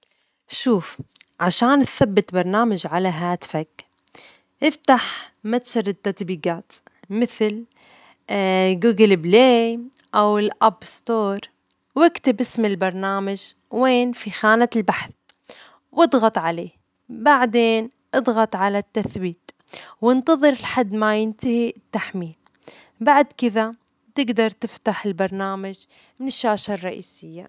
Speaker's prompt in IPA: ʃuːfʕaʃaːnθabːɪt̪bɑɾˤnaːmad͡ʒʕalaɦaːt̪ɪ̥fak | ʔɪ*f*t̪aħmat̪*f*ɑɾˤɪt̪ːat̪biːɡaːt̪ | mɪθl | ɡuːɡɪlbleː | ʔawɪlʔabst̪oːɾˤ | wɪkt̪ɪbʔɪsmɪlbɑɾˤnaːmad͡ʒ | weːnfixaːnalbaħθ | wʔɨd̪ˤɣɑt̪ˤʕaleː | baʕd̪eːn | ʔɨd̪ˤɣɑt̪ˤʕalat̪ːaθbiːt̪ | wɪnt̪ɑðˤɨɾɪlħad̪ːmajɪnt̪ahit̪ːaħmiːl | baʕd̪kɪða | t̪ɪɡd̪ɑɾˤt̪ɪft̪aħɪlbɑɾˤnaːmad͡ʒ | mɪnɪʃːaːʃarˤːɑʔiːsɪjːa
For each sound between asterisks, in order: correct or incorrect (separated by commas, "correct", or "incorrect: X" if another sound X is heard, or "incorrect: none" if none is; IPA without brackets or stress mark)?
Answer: correct, incorrect: ʃ